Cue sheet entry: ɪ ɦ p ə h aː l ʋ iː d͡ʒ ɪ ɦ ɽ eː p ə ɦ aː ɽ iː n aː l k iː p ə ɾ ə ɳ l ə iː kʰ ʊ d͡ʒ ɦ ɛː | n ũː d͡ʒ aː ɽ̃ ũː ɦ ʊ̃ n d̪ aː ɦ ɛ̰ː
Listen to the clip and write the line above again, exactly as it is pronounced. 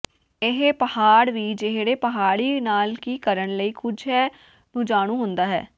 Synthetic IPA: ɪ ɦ p ə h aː ɽ ʋ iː d͡ʒ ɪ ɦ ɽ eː p ə ɦ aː ɽ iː n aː l k iː k ə ɾ ə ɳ l ə iː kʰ ʊ d͡ʒ ɦ ɛː | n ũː d͡ʒ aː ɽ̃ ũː ɦ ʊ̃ n d̪ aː ɦ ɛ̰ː